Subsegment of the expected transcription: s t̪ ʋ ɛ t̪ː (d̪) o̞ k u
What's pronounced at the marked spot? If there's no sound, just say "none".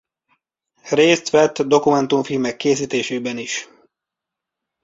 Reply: d̪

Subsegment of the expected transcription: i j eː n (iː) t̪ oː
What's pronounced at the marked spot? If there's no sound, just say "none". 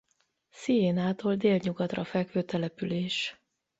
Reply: aː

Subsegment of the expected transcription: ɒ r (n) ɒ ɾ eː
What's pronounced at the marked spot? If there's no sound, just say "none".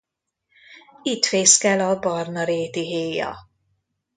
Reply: n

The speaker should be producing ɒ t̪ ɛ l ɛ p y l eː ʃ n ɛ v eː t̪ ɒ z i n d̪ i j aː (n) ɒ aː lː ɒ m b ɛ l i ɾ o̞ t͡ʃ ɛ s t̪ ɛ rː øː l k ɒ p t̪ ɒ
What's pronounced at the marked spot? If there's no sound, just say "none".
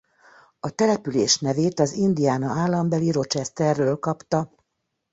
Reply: n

